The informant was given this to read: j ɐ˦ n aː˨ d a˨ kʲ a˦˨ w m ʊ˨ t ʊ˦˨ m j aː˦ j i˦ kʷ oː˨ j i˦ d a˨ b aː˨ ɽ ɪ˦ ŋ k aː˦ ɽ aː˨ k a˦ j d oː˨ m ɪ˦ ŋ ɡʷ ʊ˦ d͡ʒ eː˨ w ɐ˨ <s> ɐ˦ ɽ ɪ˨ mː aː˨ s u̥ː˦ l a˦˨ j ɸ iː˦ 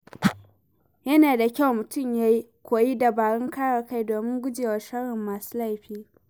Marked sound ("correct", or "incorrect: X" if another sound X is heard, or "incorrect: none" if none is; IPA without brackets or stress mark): incorrect: ʃ